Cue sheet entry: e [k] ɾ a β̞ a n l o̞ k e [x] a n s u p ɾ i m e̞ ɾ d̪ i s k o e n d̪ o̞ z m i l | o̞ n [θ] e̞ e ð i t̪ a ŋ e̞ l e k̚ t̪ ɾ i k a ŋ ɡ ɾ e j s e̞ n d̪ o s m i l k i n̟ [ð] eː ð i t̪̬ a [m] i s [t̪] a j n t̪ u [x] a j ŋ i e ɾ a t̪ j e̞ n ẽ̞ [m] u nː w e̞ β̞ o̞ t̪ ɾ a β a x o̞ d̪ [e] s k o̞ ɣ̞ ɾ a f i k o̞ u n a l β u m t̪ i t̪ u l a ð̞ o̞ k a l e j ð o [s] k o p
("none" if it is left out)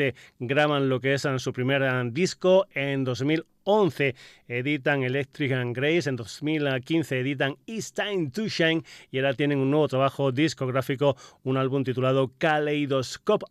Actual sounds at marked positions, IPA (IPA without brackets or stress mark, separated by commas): ɡ, s, θ, θ, ŋ, t̪, ʃ, ŋ, i, s